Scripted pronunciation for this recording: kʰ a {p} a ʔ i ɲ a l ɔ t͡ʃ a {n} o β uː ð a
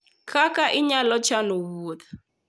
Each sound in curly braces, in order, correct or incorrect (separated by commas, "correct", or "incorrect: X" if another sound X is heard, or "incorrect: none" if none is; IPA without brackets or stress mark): incorrect: k, correct